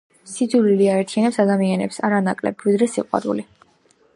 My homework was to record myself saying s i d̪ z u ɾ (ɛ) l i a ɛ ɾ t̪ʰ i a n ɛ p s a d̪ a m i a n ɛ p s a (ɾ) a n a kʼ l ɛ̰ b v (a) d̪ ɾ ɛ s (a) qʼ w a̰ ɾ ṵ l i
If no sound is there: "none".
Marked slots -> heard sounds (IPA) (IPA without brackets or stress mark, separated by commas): i, ɾ, i, i